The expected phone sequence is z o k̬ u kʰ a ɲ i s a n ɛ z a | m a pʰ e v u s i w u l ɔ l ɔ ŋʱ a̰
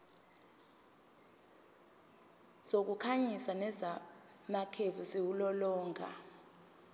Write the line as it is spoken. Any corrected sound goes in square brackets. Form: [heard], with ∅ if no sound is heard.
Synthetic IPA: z o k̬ u kʰ a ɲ i s a n ɛ z a | m a [kʰ] e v u s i w u l ɔ l [ɔː] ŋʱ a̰

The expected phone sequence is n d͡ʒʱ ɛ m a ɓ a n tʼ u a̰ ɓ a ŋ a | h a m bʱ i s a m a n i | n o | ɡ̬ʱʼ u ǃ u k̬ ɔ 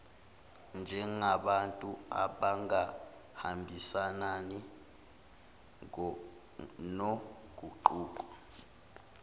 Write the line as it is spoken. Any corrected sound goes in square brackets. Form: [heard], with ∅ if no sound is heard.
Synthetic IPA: n d͡ʒʱ ɛ [ŋ] a ɓ a n tʼ u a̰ ɓ a ŋ a | h a m bʱ i s a [n] a n i | n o | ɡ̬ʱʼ u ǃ [uː] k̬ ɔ

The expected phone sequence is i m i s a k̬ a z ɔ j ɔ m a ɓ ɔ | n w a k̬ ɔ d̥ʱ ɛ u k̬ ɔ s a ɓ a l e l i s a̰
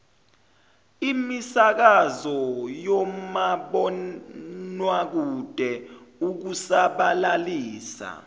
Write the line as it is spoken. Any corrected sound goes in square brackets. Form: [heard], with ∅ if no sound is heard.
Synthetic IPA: i m i s a k̬ a z ɔ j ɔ m a ɓ ɔ | n w a k̬ [u] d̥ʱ ɛ u k̬ [u] s a ɓ a l [a] l [iː] s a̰

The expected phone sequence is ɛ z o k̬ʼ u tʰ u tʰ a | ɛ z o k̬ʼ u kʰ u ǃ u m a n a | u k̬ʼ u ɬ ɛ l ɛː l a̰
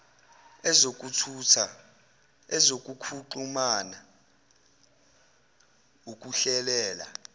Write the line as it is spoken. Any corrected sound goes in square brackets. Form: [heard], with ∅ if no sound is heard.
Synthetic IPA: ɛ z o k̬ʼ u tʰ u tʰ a | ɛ z o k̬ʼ u kʰ u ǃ u m a n a | u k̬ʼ u ɬ ɛ l ɛː l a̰

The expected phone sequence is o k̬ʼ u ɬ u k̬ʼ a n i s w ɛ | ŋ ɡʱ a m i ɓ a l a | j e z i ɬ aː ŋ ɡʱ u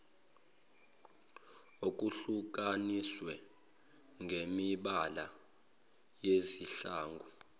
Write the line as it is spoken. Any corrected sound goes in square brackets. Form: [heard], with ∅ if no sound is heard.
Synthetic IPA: o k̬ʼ u ɬ u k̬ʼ a n i s w ɛ | ŋ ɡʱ [e] m i ɓ a l a | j e z i ɬ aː ŋ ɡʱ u

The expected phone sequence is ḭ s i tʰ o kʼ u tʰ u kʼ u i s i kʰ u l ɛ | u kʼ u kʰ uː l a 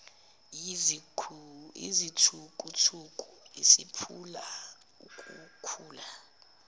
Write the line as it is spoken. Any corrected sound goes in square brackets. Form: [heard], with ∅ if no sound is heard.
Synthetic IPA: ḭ [z] i tʰ [u] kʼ u tʰ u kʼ u i s i [pʰ] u l [a] | u kʼ u kʰ uː l a

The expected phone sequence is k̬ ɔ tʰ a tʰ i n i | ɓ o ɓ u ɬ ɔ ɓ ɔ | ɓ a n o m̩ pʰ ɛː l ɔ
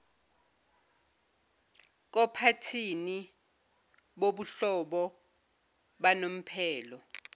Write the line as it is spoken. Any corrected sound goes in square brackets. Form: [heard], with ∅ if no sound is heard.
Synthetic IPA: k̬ ɔ [pʰ] a tʰ i n i | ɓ o ɓ u ɬ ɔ ɓ ɔ | ɓ a n o m̩ pʰ ɛː l ɔ

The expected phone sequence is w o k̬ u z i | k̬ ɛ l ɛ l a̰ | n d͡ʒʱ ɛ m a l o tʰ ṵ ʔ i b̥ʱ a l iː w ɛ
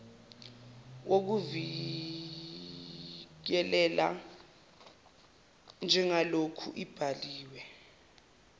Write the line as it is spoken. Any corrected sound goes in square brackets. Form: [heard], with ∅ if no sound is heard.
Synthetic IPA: w o k̬ u [v] i | k̬ ɛ l ɛ l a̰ | n d͡ʒʱ ɛ [ŋ] a l o [kʰ] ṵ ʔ i b̥ʱ a l iː w ɛ

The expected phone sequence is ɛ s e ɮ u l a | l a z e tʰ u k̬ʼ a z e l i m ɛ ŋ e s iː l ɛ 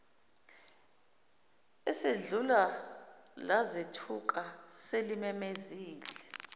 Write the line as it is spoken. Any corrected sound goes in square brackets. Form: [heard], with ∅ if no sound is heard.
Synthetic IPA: ɛ s e ɮ u l a | l a z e tʰ u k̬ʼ a [s] e l i m ɛ [m] e [z] iː l ɛ

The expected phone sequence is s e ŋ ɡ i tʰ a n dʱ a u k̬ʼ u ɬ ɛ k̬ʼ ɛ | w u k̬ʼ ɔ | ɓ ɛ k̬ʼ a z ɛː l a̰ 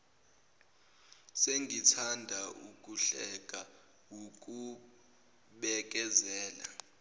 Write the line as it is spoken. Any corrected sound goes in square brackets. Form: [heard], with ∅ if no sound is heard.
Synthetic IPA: s e ŋ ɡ i tʰ a n dʱ a u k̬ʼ u ɬ ɛ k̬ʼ [a] | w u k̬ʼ [u] | ɓ ɛ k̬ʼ [ɛ] z ɛː l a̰

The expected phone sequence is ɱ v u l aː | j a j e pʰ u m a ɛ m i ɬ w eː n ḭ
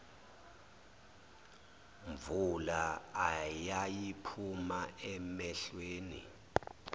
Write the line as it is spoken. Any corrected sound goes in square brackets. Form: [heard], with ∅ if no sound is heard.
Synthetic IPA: ɱ v u l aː | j a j [i] pʰ u m a ɛ m [ɛ] ɬ w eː n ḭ

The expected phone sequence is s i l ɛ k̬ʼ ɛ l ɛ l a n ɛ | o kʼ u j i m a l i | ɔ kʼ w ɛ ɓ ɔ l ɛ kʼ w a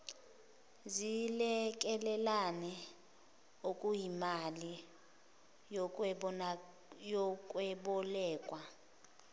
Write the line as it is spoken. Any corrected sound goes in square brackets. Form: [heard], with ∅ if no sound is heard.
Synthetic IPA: [z] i l ɛ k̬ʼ ɛ l ɛ l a n ɛ | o kʼ u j i m a l i | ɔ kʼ w ɛ ɓ ɔ l [ɛː] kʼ w a

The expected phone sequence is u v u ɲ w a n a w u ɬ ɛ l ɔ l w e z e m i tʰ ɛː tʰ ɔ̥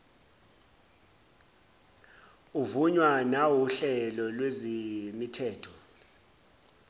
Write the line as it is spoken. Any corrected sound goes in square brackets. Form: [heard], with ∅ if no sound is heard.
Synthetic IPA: u v u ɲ w a n a w u ɬ ɛ l ɔ l w e z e m i tʰ ɛː tʰ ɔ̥

